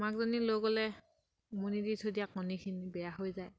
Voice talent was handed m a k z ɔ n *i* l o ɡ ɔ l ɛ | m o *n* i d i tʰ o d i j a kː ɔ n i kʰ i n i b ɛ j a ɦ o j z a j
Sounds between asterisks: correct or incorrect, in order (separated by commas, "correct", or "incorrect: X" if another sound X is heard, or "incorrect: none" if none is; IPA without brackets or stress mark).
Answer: correct, correct